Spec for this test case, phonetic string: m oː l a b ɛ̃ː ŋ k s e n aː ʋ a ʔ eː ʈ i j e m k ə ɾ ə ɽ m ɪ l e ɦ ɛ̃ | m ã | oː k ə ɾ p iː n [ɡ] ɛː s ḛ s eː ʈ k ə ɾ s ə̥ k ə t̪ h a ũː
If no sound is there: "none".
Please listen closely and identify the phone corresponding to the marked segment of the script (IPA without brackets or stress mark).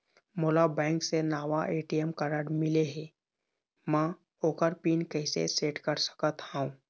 k